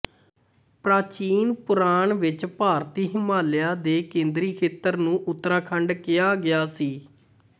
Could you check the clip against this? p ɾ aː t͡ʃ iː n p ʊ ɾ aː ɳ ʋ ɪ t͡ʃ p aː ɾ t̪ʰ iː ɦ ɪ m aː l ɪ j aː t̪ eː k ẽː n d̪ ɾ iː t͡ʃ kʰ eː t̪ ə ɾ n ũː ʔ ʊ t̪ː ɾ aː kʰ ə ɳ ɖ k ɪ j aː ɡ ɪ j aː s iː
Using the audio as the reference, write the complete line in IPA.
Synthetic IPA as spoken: p ɾ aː t͡ʃ iː n p ʊ ɾ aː ɳ ʋ ɪ t͡ʃ p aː ɾ t̪ iː ɦ ɪ m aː l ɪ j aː d̪ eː k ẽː n d̪ ɾ iː kʰ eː t̪ ə ɾ n ũː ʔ ʊ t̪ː ɾ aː kʰ ə ɳ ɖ k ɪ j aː ɡ ɪ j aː s iː